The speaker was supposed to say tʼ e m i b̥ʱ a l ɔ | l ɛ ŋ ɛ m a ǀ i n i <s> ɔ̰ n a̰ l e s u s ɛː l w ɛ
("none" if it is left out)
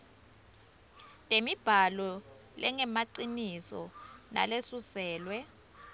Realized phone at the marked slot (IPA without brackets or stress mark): s